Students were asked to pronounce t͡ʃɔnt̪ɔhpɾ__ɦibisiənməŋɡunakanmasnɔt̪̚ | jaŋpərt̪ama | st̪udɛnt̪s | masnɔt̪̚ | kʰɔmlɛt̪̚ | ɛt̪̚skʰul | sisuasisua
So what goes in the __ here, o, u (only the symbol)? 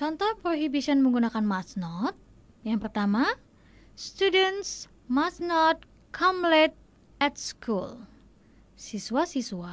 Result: o